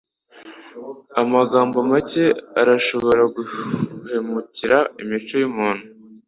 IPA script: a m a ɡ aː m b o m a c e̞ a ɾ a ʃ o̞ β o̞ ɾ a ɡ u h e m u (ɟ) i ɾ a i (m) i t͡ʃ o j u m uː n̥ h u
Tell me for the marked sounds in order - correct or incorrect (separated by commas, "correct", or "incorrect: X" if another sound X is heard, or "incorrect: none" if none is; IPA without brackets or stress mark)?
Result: incorrect: c, correct